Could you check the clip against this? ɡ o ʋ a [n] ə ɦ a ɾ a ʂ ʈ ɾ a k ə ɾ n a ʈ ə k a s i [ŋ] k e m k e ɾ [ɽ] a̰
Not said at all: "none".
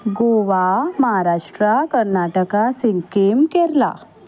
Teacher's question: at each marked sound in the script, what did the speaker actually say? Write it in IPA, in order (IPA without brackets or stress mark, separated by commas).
m, ŋ, l